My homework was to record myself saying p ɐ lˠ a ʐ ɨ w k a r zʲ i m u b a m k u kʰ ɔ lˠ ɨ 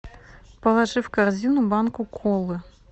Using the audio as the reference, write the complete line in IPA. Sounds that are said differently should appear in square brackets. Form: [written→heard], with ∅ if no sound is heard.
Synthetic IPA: p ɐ lˠ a ʐ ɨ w k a r zʲ i [m→n] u b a [m→n] k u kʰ ɔ lˠ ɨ